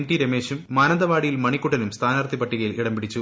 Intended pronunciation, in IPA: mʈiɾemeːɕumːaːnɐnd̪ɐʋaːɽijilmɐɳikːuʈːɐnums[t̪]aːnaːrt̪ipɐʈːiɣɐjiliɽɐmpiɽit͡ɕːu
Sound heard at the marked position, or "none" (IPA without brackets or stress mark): t̪ʰ